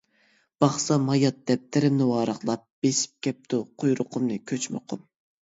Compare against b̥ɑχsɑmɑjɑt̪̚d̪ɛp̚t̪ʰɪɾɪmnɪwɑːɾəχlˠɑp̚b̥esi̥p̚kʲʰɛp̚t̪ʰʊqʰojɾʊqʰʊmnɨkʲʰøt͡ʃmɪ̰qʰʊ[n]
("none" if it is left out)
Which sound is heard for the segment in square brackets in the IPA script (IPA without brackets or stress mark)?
m